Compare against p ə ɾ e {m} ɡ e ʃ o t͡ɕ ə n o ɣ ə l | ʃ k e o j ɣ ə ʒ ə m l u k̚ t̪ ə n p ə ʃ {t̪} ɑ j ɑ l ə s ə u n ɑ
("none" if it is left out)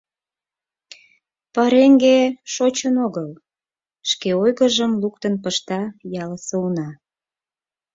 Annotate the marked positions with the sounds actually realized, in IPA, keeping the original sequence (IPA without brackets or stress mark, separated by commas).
ŋ, t̪